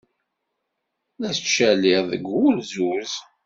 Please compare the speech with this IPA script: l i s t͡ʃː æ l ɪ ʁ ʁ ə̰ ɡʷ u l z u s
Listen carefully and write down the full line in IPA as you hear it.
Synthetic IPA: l æ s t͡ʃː æ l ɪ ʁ ð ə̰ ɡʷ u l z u z